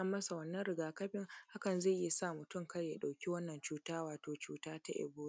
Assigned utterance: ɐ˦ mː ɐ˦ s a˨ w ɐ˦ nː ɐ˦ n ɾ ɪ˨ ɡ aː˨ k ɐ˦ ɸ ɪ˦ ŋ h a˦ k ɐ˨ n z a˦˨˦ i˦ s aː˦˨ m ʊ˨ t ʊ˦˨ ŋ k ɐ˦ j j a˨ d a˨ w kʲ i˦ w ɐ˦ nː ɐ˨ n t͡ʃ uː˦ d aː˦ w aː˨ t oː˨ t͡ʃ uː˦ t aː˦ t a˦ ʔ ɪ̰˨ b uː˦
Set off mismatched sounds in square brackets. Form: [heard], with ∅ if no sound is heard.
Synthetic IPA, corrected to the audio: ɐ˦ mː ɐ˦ s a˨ w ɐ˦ nː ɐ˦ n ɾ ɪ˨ ɡ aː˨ k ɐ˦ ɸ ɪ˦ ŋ h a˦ k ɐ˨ n z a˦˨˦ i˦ s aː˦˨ m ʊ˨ t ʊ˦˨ ŋ k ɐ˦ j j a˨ [ɗ] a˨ w kʲ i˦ w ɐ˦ nː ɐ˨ n t͡ʃ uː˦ [t] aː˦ w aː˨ t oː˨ t͡ʃ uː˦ t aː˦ t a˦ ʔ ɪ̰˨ b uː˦

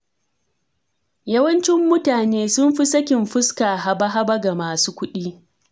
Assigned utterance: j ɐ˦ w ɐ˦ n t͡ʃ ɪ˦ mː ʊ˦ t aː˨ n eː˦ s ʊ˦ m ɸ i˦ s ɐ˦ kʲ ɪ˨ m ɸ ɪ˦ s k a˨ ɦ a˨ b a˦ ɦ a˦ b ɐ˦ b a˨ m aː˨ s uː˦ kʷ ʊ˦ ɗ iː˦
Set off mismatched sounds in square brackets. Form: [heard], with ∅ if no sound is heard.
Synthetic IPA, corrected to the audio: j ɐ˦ w ɐ˦ n t͡ʃ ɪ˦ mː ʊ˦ t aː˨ n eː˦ s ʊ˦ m ɸ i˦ s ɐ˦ kʲ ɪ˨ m ɸ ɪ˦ s k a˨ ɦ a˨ b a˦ ɦ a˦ b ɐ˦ [ɡ] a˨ m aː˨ s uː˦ kʷ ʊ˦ ɗ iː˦

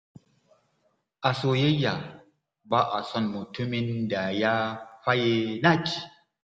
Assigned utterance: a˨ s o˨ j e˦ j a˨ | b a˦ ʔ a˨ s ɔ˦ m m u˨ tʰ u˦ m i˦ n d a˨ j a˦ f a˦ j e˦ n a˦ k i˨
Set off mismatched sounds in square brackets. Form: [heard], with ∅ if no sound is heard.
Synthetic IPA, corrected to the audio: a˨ s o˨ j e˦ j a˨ | b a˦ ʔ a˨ s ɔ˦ [n] m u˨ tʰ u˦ m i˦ n d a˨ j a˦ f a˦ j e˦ n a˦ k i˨

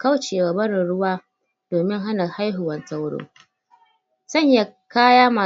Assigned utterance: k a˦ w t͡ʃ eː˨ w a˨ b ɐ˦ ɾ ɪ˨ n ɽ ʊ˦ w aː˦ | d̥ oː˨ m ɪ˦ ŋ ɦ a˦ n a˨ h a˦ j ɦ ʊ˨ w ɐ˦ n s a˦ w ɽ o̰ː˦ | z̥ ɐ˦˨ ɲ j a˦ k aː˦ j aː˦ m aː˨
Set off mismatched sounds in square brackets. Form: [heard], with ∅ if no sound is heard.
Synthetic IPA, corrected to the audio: k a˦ w t͡ʃ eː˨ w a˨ b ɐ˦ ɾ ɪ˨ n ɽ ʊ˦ w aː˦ | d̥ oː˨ m ɪ˦ ŋ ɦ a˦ n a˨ h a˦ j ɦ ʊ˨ w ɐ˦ n s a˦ w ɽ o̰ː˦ | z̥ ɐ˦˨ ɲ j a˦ k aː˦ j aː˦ m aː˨

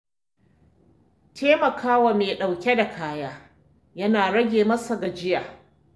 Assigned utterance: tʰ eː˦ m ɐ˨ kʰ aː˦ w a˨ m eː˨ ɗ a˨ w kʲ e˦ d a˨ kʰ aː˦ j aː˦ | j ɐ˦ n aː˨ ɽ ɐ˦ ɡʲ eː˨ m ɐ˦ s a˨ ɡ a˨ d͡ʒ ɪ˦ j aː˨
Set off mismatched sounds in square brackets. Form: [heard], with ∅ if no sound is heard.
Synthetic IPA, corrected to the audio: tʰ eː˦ m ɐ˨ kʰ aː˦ w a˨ m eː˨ ɗ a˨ w kʲ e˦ d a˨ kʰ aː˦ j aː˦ | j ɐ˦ n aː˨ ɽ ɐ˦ ɡʲ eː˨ m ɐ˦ s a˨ ɡ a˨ d͡ʒ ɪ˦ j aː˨

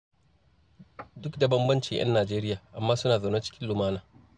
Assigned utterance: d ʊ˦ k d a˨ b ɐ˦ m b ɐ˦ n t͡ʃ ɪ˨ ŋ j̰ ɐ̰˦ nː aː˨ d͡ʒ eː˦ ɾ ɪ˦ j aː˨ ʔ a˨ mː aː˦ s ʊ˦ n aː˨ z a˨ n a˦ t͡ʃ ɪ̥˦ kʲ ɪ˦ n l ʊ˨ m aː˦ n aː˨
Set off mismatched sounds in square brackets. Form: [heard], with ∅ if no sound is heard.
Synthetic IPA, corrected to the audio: d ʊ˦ k d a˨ b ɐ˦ m b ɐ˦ n t͡ʃ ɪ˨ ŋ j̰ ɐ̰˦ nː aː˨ d͡ʒ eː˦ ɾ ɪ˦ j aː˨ ʔ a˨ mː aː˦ s ʊ˦ n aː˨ z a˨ n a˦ t͡ʃ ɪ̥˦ kʲ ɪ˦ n l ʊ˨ m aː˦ n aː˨

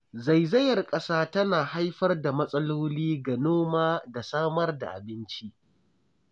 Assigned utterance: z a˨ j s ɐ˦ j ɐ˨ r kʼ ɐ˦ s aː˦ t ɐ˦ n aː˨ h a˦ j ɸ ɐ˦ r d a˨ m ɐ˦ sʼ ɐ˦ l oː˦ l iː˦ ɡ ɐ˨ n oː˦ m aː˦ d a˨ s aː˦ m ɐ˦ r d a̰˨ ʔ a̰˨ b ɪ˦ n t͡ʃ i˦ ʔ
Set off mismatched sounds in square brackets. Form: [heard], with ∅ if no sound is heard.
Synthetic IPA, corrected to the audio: z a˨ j [z] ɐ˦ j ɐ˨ r kʼ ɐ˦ s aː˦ t ɐ˦ n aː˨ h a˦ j ɸ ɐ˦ r d a˨ m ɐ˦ sʼ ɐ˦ l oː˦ l iː˦ ɡ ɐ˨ n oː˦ m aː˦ d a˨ s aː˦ m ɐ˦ r d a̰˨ ʔ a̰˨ b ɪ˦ n t͡ʃ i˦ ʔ

